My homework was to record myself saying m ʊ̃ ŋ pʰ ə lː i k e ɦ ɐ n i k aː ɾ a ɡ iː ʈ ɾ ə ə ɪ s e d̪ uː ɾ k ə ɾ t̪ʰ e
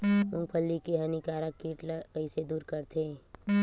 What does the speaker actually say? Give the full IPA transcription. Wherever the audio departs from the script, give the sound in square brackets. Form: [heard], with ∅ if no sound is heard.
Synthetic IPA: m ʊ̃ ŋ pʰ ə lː i k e ɦ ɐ n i k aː ɾ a [k] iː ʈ [l] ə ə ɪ s e d̪ uː ɾ k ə ɾ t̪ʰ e